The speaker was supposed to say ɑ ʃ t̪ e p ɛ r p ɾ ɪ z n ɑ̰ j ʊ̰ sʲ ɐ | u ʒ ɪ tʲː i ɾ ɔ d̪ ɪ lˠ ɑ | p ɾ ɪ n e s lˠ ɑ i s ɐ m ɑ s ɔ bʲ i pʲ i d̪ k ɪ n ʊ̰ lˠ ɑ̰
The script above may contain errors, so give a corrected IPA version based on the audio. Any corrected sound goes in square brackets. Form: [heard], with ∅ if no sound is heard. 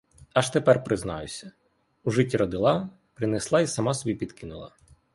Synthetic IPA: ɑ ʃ t̪ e p ɛ r p ɾ ɪ z n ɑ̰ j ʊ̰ sʲ ɐ | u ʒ ɪ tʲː i ɾ ɔ d̪ ɪ lˠ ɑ | p ɾ ɪ n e s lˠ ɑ i s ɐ m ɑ s ɔ bʲ i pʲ i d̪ k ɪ n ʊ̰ lˠ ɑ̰